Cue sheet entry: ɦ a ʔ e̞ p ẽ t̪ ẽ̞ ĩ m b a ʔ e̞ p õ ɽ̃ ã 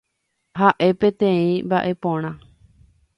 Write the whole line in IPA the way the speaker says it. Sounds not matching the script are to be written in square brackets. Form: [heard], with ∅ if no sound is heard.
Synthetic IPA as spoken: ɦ a ʔ e̞ p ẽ t̪ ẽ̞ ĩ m b a ʔ e̞ p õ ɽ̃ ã